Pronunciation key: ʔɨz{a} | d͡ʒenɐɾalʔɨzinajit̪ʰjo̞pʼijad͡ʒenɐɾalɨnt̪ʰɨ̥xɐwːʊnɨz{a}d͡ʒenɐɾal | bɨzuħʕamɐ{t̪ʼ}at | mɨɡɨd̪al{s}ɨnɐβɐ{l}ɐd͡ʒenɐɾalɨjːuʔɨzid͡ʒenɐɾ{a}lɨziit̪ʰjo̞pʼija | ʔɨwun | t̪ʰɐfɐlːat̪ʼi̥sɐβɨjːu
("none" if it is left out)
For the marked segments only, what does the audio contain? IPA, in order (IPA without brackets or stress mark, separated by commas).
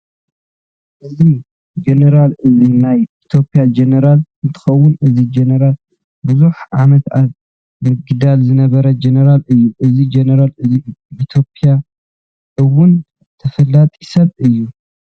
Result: i, i, t̪, z, ɾ, a